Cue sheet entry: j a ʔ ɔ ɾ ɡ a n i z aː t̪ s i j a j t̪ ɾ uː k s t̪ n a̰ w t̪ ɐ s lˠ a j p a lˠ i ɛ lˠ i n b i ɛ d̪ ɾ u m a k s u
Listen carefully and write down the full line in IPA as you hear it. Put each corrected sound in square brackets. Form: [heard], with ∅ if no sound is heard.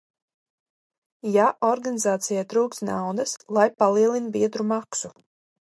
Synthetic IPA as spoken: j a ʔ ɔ ɾ ɡ a n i z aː t̪ s i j a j t̪ ɾ uː k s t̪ n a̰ w [d̪] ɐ s lˠ a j p a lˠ i ɛ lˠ i n b i ɛ d̪ ɾ u m a k s u